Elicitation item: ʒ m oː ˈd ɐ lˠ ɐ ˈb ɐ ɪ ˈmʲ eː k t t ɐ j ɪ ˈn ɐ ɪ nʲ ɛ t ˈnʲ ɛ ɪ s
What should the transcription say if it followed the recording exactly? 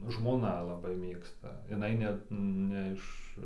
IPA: ʒ m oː ˈn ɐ lˠ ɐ ˈb ɐ ɪ ˈmʲ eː k s t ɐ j ɪ ˈn ɐ ɪ nʲ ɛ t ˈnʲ ɛ ɪ ʃ